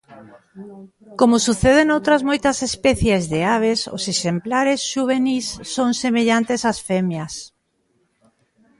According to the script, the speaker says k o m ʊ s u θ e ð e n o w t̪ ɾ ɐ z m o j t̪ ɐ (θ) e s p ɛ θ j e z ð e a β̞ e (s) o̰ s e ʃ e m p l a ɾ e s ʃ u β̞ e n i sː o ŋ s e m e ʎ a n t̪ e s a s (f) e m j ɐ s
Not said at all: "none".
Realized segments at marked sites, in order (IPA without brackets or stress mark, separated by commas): s, s, f